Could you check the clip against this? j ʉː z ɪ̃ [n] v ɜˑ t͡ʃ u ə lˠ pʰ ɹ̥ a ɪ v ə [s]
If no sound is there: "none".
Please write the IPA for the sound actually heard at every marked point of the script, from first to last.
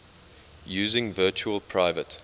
ŋ, t

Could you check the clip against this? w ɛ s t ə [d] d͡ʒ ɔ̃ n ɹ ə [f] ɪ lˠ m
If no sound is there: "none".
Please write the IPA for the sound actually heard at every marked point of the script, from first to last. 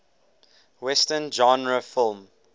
n, f

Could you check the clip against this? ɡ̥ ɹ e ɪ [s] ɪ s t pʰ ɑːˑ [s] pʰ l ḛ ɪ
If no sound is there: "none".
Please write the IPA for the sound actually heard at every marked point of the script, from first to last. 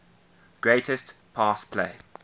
t, s

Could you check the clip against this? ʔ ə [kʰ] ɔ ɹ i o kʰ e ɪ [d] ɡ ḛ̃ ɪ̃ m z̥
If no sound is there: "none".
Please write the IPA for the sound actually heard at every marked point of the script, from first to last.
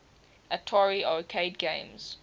tʰ, d

